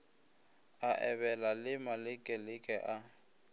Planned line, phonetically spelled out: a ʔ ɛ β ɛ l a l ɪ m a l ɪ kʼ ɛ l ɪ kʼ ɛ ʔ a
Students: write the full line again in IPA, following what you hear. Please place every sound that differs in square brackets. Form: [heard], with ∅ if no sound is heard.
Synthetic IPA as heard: a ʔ ɛ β ɛ l a l ɪ m a l ɪ kʼ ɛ l ɪ kʼ ɛ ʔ a